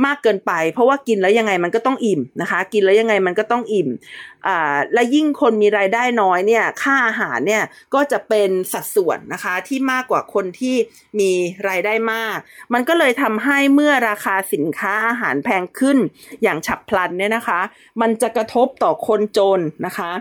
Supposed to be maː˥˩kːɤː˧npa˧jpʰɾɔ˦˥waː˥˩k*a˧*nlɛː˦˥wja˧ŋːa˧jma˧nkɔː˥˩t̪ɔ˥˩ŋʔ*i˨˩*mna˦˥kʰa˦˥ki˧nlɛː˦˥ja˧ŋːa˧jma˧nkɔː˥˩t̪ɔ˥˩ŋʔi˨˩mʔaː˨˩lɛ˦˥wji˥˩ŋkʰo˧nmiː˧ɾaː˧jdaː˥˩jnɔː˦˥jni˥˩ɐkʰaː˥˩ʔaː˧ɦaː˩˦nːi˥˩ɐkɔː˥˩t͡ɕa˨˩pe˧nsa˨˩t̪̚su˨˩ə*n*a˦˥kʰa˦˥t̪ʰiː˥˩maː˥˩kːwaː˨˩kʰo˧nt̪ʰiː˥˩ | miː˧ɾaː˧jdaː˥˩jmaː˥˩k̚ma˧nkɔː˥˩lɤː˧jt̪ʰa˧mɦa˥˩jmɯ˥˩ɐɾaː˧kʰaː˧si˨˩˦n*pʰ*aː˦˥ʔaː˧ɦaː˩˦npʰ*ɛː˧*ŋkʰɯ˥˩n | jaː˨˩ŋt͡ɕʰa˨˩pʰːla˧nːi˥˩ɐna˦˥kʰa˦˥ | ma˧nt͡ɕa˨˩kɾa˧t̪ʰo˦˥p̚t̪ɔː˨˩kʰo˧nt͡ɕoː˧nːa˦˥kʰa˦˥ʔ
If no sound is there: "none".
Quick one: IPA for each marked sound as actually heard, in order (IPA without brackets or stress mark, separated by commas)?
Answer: i˧, i˨˩, nː, kʰ, ɛː˧